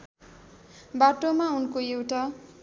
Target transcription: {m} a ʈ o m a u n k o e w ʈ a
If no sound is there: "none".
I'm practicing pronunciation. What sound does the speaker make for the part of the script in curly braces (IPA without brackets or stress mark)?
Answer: b